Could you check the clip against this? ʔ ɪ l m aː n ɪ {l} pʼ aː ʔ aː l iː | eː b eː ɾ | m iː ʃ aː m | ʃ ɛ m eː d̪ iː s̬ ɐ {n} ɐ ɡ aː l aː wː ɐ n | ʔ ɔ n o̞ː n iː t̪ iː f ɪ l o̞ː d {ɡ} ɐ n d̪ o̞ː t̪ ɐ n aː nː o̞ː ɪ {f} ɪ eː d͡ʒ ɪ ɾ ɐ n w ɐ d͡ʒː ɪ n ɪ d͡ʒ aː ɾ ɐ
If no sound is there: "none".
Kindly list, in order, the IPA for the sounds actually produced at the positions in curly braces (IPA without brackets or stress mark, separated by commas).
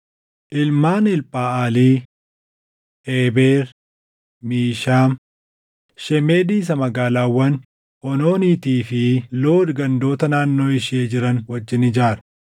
l, m, ɡ, ʃ